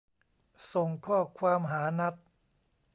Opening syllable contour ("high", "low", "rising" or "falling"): low